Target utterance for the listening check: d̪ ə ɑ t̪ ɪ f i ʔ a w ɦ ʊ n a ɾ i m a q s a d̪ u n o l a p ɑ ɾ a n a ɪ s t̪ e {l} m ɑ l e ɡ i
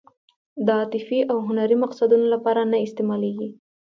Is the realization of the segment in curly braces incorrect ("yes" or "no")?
yes